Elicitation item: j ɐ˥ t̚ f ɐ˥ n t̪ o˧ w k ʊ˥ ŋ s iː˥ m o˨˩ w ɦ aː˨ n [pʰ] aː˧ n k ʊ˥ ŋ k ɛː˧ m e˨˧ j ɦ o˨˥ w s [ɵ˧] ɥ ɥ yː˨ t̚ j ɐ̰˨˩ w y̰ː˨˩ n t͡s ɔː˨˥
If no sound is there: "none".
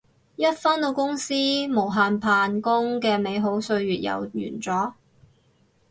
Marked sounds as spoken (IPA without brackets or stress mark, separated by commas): pʰ, ɵ˧